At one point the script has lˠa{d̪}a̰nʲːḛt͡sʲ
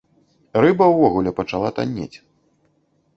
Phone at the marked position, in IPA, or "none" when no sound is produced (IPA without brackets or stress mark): t̪